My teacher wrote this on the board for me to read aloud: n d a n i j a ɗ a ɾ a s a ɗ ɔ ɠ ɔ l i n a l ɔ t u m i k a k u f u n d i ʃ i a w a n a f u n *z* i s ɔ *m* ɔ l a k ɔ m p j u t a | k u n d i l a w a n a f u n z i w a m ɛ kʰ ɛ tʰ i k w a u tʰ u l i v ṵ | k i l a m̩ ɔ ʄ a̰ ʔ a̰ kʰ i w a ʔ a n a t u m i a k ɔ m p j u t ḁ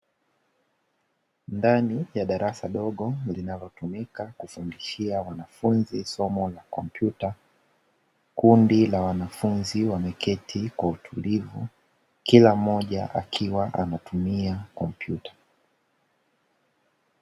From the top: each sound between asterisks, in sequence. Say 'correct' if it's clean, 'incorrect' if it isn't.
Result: correct, correct

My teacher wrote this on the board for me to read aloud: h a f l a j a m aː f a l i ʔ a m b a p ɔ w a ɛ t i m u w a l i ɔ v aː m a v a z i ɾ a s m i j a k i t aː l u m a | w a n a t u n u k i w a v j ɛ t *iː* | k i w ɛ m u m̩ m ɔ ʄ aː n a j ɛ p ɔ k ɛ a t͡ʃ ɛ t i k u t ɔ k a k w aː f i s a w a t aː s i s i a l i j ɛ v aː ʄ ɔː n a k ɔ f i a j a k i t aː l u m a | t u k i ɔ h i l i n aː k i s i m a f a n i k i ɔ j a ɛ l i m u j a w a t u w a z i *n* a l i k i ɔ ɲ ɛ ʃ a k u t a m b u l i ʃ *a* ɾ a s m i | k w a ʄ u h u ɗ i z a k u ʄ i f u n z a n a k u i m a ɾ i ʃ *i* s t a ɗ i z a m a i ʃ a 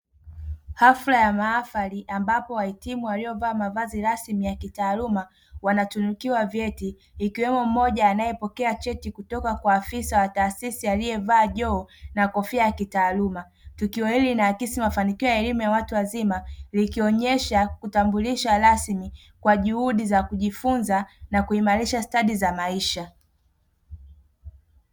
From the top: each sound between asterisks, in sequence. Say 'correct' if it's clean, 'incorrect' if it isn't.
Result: correct, incorrect, correct, incorrect

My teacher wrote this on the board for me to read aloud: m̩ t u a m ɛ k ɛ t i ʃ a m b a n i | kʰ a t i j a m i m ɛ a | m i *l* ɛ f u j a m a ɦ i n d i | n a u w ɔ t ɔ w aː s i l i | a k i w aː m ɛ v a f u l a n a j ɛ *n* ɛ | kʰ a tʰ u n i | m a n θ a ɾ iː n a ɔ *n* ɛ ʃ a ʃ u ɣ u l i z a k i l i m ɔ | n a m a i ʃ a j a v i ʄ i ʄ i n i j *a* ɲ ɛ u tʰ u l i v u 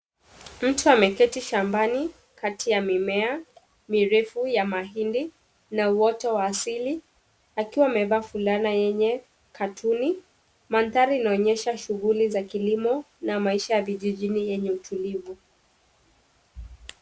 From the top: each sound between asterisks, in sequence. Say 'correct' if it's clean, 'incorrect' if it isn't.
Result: incorrect, incorrect, incorrect, incorrect

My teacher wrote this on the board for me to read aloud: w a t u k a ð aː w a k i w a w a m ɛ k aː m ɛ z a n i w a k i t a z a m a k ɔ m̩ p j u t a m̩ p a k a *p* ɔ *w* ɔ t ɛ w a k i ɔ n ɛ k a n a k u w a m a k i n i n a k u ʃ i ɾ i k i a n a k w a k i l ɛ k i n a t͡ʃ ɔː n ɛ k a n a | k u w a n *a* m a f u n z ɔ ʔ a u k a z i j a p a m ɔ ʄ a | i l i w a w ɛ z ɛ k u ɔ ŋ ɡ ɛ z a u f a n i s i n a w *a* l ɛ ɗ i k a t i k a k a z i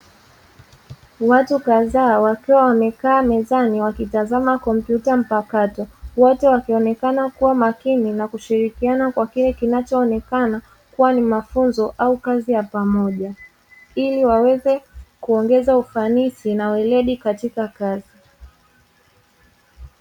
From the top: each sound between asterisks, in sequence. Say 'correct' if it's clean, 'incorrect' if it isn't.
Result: incorrect, correct, incorrect, incorrect

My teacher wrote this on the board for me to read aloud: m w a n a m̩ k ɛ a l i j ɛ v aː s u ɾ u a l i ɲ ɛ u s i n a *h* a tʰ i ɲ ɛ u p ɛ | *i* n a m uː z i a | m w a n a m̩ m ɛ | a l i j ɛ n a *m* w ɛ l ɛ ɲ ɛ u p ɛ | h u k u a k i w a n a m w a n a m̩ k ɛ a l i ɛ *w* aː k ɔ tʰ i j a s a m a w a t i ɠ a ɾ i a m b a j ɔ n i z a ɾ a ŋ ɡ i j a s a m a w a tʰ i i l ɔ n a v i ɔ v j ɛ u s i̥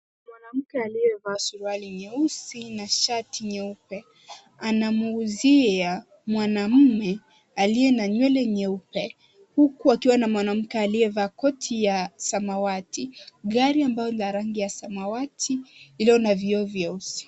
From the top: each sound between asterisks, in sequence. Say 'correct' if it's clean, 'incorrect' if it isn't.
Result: incorrect, incorrect, incorrect, incorrect

